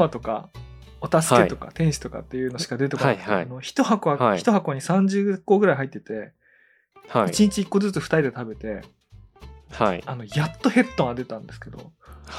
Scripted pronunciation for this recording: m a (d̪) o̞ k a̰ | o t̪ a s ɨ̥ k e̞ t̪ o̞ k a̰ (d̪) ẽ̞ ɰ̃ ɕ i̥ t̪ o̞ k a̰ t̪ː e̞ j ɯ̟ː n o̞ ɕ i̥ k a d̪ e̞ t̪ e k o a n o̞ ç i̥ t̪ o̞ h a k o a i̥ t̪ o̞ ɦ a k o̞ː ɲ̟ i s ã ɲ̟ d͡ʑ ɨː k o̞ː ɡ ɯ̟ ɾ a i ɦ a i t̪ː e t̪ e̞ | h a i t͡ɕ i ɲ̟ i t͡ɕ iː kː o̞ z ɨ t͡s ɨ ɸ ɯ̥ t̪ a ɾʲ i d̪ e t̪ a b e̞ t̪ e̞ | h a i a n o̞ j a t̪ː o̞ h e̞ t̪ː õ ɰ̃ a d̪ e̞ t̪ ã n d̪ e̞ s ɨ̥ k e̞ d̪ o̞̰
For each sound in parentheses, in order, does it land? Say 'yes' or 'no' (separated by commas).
no, no